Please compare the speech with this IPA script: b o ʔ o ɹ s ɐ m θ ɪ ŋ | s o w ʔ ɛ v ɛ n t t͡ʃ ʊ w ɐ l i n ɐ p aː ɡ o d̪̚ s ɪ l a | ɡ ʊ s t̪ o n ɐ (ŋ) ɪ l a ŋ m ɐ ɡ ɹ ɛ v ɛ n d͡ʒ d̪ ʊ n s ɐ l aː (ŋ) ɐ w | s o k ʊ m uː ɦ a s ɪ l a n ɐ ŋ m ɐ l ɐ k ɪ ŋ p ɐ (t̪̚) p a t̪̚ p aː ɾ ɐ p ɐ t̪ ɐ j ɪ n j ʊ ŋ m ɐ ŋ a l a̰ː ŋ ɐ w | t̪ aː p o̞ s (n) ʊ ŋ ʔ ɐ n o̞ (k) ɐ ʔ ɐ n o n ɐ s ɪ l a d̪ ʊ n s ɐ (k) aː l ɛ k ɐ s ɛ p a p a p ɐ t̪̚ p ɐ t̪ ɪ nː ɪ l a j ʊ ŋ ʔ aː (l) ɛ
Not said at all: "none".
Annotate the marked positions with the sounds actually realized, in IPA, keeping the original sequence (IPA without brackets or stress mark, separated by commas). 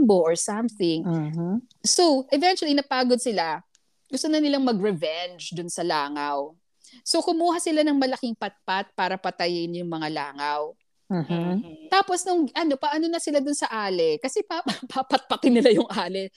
n, ŋ, t̪̚, n, p, ʔ, l